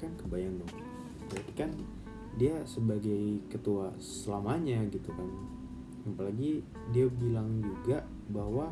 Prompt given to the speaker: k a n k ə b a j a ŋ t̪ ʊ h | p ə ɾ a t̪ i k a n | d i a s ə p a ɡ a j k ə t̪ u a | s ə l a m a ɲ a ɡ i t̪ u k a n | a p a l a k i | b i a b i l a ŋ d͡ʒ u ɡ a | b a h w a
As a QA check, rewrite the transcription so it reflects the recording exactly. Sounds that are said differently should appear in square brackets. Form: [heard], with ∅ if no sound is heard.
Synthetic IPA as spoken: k a n k ə b a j a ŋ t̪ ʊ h | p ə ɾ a t̪ i k a n | d i a s ə [b] a ɡ a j k ə t̪ u a | s ə l a m a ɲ a ɡ i t̪ u k a n | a p a l a [ɡ] i | [d] i a b i l a ŋ d͡ʒ u ɡ a | b a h w a